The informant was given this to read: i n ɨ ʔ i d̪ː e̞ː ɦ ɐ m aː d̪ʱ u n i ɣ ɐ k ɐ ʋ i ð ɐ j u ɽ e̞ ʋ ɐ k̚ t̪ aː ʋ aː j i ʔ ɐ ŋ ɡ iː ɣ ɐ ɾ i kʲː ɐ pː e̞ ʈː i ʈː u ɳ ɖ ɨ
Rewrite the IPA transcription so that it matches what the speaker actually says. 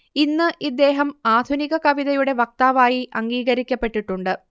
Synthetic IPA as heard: i nː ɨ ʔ i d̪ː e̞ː ɦ ɐ m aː d̪ʱ u n i ɣ ɐ k ɐ ʋ i ð ɐ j u ɽ e̞ ʋ ɐ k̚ t̪ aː ʋ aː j i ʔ ɐ ŋ ɡ iː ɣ ɐ ɾ i kʲː ɐ pː e̞ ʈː i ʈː u ɳ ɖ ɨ

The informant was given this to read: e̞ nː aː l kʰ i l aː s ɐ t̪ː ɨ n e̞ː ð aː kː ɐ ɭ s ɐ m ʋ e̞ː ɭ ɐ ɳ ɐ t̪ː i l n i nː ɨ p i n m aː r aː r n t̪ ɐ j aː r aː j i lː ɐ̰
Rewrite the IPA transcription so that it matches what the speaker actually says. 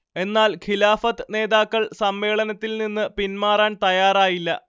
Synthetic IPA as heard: e̞ nː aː l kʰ i l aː f ɐ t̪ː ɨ n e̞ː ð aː kː ɐ ɭ s ɐ m ʋ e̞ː ɭ ɐ n ɐ t̪ː i l n i nː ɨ p i n m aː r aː n t̪ ɐ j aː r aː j i lː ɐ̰

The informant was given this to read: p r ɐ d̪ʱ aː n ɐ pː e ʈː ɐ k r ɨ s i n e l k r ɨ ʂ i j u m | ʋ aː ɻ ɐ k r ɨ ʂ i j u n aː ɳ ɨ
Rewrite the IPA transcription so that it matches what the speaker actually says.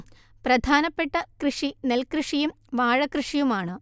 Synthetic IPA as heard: p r ɐ d̪ʱ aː n ɐ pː e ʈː ɐ k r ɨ ʂ i n e l k r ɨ ʂ i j u m | ʋ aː ɻ ɐ k r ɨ ʂ i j u m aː ɳ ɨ

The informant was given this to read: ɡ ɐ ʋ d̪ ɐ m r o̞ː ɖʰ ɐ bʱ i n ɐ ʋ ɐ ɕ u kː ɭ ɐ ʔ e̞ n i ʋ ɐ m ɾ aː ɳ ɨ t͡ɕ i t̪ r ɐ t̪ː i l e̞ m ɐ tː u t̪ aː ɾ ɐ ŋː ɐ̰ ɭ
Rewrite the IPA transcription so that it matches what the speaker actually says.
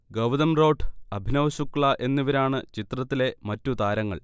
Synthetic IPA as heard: ɡ ɐ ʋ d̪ ɐ m r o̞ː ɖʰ ɐ bʱ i n ɐ ʋ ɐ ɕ u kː ɭ ɐ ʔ e̞ nː i ʋ ɐ ɾ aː ɳ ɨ t͡ɕ i t̪ r ɐ t̪ː i l e̞ m ɐ tː u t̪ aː ɾ ɐ ŋː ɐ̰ ɭ

